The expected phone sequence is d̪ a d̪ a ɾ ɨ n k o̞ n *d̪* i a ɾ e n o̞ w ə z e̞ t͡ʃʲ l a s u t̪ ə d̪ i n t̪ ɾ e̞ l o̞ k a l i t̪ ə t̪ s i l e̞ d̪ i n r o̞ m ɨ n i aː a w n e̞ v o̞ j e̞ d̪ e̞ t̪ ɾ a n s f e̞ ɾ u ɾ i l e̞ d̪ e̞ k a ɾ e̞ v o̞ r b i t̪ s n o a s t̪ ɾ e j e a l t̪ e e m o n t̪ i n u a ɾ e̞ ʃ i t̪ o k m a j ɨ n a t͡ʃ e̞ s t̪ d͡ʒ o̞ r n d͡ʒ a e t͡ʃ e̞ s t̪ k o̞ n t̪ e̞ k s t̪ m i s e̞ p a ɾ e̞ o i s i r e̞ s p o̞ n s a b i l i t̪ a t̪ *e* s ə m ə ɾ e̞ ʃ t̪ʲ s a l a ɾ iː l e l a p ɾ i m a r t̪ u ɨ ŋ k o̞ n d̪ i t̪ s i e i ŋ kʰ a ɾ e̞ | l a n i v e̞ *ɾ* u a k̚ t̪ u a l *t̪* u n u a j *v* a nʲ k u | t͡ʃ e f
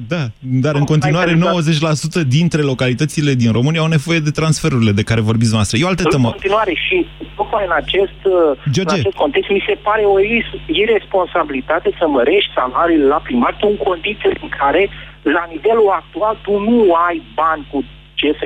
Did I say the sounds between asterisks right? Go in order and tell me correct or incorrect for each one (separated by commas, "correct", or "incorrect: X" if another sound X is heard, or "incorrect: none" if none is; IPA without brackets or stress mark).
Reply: incorrect: t̪, correct, incorrect: l, correct, incorrect: b